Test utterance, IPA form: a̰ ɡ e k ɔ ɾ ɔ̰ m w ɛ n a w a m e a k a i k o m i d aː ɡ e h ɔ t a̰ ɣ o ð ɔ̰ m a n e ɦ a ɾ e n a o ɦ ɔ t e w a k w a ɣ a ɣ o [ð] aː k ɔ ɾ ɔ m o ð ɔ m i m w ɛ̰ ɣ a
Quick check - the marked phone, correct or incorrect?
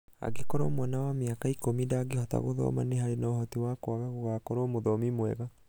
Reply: incorrect